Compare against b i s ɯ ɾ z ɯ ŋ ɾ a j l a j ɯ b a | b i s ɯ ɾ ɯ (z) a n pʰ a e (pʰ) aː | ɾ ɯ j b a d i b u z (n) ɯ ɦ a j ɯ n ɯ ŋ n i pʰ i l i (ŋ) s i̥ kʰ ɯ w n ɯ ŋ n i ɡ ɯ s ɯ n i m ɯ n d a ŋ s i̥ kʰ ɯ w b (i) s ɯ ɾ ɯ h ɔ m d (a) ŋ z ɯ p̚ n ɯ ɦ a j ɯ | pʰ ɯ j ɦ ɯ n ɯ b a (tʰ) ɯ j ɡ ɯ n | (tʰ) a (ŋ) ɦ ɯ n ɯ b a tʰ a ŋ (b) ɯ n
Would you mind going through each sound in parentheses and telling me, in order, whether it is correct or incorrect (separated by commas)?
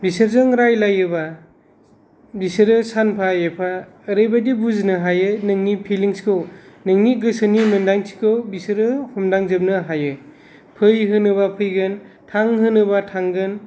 incorrect, correct, correct, correct, correct, correct, incorrect, correct, correct, incorrect